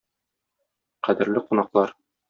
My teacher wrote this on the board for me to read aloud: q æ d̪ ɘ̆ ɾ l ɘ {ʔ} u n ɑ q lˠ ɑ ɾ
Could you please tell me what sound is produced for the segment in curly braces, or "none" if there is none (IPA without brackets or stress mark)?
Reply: q